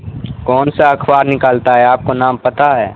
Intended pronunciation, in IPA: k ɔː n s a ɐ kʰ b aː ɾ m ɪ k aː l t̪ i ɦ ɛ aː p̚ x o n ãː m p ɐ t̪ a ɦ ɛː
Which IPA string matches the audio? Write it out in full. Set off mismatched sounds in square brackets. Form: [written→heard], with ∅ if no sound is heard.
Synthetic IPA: k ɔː n s a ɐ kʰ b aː ɾ [m→n] ɪ k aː l t̪ [i→a] ɦ ɛ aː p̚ [x→k] o n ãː m p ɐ t̪ a ɦ ɛː